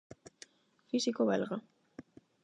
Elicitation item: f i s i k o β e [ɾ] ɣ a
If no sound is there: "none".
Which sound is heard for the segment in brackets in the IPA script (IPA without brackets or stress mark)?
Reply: l